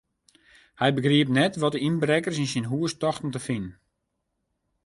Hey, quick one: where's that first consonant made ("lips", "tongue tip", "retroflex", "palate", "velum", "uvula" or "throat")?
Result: throat